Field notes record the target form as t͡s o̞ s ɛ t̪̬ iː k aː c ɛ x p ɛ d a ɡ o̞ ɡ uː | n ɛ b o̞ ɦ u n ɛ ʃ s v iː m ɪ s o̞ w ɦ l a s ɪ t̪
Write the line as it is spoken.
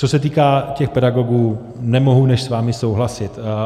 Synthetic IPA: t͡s o̞ s ɛ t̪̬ iː k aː c ɛ x p ɛ d a ɡ o̞ ɡ uː | n ɛ m o̞ ɦ u n ɛ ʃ s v aː m ɪ s o̞ w ɦ l a s ɪ t̪